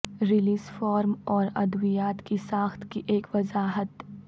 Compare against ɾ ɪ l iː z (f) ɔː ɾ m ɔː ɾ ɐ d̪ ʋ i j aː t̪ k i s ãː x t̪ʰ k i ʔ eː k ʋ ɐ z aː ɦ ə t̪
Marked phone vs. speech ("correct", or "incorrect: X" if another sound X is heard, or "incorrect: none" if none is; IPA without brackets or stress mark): correct